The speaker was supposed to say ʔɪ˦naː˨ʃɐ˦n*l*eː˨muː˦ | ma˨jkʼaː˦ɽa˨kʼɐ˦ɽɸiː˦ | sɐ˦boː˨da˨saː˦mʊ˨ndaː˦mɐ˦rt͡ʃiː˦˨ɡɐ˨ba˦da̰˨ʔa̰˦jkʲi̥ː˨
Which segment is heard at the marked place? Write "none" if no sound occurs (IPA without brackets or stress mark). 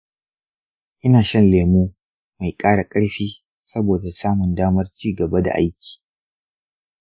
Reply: l